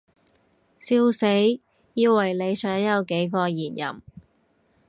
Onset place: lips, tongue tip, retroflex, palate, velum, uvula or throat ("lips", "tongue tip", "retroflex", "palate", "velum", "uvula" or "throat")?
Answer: tongue tip